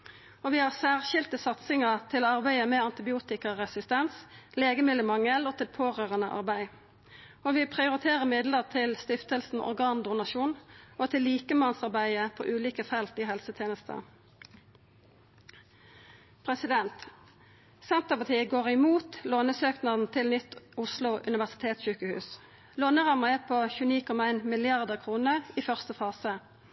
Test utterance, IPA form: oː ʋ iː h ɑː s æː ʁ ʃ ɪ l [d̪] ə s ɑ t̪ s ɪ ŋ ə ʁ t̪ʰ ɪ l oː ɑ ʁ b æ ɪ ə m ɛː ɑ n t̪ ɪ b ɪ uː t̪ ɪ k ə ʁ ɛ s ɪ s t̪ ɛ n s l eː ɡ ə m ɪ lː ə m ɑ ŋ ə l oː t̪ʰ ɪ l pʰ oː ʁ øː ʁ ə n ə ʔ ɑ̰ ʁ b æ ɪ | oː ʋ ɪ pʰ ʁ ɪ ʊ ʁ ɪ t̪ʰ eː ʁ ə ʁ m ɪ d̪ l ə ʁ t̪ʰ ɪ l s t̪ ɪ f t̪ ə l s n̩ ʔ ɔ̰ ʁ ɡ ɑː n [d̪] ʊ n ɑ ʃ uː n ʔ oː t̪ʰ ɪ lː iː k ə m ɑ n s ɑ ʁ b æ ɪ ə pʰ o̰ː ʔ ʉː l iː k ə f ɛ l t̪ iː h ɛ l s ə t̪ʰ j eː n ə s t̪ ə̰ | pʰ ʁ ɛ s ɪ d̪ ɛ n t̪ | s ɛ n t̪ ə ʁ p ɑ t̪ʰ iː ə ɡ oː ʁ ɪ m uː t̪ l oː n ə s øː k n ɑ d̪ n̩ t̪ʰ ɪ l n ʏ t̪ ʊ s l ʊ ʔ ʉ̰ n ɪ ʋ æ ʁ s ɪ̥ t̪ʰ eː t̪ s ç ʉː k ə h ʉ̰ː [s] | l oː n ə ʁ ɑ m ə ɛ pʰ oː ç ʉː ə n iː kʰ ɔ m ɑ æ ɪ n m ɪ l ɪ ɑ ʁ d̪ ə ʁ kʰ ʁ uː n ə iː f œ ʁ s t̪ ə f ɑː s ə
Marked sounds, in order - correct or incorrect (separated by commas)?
incorrect, correct, correct